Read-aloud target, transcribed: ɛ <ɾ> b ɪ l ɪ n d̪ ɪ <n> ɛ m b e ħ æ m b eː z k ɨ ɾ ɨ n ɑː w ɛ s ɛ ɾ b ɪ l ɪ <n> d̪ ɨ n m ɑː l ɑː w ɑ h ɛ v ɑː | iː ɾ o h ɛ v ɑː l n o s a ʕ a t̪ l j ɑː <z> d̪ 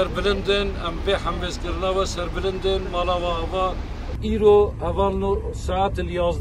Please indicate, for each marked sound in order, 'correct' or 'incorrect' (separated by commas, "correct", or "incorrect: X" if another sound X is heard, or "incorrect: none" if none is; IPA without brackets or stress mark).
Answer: correct, correct, correct, correct